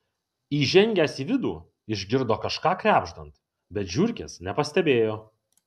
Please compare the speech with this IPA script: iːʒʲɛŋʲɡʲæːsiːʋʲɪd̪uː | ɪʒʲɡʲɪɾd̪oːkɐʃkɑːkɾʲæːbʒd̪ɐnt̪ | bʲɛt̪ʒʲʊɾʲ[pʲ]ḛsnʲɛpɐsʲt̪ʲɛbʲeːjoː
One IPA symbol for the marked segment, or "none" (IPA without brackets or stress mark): kʲ